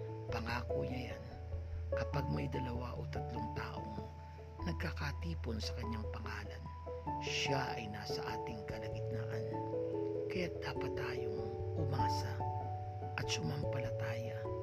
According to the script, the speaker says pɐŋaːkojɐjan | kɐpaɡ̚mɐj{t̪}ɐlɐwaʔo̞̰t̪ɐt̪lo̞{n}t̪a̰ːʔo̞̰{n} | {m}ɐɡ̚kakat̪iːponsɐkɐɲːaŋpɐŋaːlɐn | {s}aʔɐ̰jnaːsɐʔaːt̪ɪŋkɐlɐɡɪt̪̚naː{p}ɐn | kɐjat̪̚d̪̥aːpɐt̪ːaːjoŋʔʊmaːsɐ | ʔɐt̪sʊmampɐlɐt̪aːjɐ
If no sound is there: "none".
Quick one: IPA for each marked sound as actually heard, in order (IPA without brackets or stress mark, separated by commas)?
d̪, ŋ, ŋ, n, ʃ, ʔ